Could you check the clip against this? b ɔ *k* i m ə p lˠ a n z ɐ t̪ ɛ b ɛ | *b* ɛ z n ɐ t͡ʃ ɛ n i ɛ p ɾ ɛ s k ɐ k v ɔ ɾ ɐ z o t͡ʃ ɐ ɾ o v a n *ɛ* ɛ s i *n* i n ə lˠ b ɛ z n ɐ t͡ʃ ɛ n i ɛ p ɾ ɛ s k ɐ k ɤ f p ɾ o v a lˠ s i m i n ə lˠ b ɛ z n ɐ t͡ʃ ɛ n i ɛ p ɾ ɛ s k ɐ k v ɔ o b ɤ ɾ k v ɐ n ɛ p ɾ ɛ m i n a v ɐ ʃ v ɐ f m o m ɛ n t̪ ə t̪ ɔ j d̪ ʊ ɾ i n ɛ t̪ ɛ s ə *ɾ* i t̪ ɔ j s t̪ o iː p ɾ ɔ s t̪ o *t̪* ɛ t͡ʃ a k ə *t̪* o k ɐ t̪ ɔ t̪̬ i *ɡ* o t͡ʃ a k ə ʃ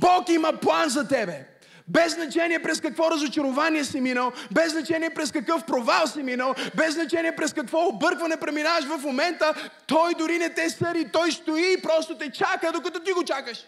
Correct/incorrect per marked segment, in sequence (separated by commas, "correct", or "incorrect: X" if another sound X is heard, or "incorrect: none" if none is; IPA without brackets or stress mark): correct, correct, incorrect: i, incorrect: m, correct, correct, incorrect: d̪, correct